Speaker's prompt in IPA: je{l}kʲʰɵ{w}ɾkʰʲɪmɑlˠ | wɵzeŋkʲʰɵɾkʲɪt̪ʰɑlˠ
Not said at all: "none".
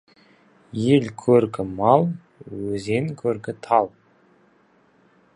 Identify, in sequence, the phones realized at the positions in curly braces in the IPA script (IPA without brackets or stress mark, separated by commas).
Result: l, none